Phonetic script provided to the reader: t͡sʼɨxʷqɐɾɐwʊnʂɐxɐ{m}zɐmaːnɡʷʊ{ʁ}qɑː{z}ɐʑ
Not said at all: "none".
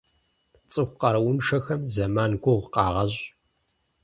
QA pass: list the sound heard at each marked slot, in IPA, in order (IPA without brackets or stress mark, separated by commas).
m, ʁ, ʁ